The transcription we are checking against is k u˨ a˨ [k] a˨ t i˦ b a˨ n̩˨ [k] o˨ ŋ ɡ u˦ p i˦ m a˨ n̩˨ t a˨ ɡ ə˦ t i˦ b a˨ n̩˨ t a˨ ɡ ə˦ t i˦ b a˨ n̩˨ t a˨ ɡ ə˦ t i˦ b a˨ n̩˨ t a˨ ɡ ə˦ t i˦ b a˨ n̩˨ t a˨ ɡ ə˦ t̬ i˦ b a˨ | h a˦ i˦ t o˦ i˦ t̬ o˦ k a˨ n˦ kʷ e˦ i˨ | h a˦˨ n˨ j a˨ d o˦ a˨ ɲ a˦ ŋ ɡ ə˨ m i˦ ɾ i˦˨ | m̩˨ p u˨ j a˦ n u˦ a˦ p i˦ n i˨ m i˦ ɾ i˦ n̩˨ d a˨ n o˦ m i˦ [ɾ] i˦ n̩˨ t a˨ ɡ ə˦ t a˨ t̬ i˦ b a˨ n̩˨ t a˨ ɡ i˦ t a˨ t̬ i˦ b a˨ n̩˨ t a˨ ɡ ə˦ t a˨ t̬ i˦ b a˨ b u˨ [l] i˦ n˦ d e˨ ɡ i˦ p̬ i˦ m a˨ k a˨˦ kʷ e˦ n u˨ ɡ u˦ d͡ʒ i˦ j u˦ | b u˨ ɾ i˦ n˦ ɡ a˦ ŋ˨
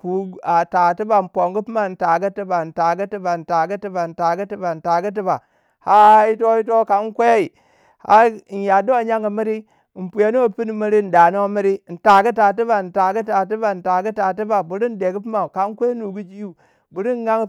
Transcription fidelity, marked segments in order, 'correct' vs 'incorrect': incorrect, incorrect, correct, incorrect

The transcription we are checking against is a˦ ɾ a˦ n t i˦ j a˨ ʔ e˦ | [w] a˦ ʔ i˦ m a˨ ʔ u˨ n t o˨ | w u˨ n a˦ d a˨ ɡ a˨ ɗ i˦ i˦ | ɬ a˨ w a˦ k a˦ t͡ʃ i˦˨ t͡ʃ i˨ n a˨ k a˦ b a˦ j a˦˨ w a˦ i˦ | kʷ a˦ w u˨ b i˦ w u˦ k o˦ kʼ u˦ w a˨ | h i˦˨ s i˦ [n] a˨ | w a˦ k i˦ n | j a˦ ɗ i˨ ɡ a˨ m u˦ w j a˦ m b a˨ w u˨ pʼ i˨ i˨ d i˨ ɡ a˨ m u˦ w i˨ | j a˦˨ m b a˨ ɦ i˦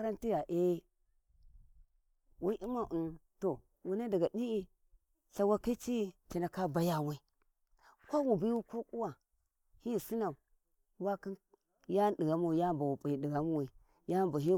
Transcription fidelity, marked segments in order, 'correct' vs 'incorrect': correct, correct

